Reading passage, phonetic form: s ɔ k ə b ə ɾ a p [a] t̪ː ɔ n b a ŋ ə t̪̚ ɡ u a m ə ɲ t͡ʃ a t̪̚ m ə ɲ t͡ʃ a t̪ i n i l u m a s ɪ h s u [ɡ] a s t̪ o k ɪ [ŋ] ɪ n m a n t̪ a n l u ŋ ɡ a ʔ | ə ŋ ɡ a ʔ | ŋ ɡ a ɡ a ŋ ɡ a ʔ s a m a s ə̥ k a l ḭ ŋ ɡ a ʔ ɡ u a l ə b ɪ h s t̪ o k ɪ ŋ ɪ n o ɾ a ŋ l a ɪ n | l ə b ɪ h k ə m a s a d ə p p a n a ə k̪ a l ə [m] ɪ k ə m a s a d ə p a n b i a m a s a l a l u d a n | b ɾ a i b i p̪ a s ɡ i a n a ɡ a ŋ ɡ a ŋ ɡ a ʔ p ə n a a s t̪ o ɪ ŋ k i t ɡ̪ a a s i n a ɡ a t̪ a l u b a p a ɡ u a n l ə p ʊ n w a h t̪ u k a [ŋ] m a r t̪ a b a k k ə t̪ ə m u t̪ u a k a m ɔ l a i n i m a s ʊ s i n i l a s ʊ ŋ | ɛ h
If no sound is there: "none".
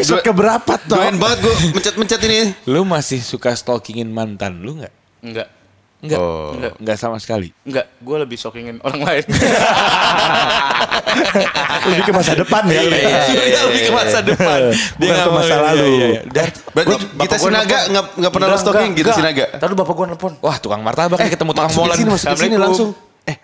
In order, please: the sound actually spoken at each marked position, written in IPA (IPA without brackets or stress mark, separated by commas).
a, k, ŋ, b, ŋ